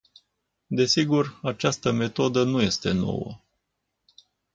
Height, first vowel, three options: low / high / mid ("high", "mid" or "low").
mid